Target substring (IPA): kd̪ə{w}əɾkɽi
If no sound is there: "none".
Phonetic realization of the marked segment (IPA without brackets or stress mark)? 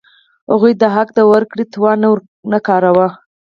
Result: w